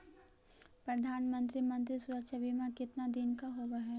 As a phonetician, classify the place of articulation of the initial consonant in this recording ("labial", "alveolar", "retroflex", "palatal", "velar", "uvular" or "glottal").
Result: labial